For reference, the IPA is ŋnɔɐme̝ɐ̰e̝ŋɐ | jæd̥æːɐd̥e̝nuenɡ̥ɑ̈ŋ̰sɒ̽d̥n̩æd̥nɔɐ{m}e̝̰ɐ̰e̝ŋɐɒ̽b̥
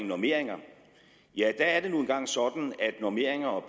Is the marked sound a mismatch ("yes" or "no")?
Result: no